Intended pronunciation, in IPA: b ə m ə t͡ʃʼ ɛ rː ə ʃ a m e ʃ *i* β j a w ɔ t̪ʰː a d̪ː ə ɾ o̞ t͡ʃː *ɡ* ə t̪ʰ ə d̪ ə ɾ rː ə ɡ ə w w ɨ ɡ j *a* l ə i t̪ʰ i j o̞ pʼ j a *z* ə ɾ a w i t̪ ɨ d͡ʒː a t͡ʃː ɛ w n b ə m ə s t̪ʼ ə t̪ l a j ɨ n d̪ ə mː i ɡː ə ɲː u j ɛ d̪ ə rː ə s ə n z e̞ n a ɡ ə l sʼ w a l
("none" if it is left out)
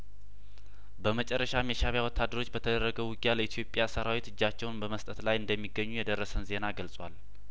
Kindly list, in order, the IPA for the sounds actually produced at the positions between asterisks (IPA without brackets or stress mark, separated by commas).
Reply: a, b, a, s